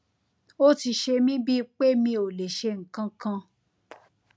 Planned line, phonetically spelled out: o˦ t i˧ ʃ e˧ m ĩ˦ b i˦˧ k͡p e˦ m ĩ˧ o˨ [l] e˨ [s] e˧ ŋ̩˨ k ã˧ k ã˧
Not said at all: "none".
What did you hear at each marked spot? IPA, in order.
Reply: l, ʃ

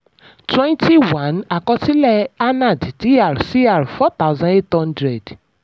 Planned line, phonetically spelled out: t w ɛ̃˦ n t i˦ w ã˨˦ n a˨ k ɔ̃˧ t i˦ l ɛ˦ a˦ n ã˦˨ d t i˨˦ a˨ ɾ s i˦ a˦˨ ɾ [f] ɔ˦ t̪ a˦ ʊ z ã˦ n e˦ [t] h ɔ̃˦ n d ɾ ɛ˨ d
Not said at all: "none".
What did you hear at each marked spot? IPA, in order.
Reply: f, t

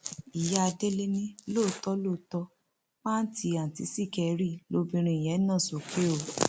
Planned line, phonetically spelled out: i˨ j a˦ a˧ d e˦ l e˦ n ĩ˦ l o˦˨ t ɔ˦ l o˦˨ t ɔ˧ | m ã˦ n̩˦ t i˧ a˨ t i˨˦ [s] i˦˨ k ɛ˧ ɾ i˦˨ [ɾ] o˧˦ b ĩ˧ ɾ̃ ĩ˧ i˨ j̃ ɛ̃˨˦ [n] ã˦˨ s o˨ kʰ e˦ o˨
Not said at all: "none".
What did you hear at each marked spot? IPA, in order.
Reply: s, l, n

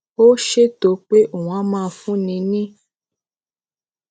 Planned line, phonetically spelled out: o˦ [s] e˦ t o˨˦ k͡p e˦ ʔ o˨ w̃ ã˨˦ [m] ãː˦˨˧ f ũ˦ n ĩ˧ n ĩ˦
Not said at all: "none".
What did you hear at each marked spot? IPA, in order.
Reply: ʃ, m

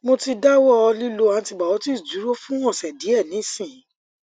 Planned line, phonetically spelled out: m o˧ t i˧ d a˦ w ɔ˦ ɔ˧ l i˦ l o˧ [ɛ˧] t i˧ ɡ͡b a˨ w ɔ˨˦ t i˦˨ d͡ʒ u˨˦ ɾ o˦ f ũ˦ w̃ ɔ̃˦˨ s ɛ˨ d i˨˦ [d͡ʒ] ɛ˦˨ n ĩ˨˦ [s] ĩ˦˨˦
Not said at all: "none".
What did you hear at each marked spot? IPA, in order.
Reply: a˧, none, s

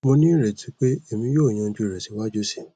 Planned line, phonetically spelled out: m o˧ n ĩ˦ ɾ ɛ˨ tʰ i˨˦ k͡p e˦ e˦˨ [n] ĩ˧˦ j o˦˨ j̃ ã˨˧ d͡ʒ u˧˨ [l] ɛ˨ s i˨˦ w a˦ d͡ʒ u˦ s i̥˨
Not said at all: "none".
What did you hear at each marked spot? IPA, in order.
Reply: m, ɾ

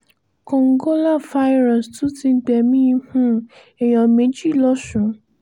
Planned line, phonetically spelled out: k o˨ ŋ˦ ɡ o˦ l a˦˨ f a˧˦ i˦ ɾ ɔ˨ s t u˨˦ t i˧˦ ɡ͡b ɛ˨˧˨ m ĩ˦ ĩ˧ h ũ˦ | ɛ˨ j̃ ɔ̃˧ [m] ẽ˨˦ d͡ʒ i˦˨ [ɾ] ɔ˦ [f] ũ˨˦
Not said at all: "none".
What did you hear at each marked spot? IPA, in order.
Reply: m, l, ʃ

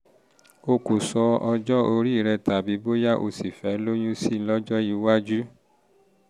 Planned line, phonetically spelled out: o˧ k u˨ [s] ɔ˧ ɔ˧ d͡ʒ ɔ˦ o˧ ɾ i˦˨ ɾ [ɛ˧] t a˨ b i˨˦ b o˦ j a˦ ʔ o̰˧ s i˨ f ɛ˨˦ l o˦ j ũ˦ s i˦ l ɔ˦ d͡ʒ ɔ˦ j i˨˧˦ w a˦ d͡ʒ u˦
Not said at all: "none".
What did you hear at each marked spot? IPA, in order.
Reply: s, ɛ˧

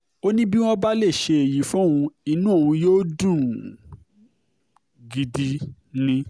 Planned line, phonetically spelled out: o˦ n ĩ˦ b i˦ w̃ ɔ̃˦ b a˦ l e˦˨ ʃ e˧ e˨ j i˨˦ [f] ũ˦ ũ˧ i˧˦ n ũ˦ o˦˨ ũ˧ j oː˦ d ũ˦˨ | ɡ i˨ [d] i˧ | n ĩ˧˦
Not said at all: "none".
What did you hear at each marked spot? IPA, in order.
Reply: f, d

